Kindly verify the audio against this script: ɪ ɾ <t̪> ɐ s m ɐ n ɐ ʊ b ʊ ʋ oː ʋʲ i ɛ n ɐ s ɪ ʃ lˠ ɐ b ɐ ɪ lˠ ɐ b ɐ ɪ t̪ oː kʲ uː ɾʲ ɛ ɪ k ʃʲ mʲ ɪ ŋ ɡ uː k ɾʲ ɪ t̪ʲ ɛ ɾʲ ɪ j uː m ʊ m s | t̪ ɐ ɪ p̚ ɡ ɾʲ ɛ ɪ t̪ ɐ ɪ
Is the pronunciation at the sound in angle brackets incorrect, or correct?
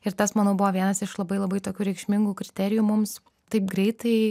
correct